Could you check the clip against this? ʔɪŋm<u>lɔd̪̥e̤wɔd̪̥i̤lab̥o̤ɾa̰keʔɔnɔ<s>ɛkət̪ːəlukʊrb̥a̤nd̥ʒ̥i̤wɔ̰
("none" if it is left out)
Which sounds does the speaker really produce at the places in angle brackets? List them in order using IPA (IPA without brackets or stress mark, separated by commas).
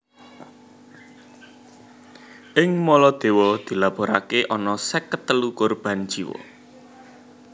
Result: ɔ, s